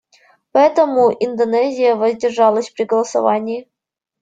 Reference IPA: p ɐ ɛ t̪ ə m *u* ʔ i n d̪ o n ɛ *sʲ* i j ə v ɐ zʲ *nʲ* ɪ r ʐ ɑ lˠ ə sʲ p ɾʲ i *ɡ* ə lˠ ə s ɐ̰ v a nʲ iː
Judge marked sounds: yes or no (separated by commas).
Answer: yes, no, no, yes